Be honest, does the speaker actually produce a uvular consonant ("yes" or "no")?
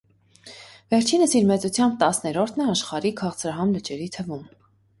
yes